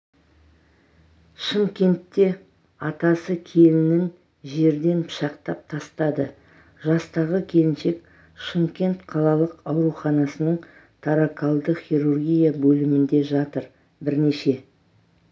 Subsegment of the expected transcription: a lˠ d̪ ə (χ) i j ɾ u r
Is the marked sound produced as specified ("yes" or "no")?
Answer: yes